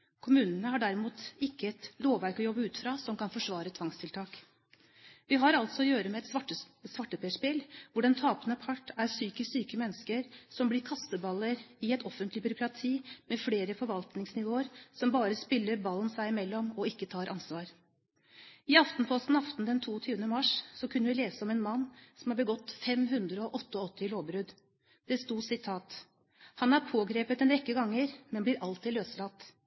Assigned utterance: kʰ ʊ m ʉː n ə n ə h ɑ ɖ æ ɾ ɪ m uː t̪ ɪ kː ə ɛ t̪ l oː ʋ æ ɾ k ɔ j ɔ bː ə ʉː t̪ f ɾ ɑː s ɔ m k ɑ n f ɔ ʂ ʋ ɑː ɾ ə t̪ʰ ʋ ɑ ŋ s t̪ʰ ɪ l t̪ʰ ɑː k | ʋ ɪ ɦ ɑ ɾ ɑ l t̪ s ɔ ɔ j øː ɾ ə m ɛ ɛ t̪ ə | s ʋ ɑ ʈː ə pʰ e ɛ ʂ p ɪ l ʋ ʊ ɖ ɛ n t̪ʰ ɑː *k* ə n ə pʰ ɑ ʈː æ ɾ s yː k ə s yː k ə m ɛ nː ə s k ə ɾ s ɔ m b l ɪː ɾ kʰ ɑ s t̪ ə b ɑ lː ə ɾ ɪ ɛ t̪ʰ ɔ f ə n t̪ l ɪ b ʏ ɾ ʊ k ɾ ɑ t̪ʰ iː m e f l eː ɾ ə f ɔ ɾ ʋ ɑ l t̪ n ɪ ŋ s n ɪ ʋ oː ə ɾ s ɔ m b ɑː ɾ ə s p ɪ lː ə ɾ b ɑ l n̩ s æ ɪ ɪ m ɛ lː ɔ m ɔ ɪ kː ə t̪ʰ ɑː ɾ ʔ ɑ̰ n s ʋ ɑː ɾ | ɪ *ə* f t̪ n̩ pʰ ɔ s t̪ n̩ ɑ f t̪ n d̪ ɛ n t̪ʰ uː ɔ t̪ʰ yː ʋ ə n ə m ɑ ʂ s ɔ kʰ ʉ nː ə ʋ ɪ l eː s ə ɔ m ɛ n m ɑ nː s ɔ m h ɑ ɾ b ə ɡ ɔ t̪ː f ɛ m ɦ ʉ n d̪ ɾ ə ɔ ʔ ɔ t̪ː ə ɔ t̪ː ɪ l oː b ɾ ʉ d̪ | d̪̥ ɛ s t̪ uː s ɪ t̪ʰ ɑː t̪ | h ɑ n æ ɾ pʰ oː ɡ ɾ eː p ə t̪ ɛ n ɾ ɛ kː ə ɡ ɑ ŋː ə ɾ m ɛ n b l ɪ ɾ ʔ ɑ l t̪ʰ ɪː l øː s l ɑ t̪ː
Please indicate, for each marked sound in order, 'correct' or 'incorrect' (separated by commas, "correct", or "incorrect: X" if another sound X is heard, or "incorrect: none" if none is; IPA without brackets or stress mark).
incorrect: p, incorrect: ɑ